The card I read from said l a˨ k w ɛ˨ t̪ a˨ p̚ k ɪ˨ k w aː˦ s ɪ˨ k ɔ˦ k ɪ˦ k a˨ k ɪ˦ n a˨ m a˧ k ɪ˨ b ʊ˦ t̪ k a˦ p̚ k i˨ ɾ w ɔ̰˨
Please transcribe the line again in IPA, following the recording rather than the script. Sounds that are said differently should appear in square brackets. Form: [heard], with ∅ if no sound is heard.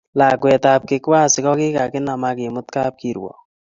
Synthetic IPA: l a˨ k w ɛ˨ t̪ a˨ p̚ k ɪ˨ k w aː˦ s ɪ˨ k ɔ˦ k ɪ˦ k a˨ k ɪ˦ n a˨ m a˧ k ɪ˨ [m] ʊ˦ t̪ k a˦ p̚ k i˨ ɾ w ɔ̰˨